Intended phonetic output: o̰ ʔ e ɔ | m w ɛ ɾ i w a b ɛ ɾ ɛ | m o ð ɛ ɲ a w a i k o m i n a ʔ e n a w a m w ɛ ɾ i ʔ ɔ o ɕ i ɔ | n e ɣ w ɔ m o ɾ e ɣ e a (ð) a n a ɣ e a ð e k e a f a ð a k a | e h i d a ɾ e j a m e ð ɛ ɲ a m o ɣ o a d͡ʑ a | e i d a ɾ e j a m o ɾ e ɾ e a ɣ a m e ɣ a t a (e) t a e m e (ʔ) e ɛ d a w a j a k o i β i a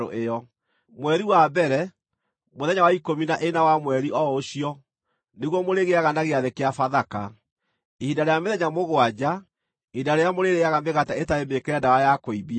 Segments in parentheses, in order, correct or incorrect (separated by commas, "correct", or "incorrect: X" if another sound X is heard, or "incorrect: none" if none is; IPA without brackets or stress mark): incorrect: ɣ, correct, incorrect: k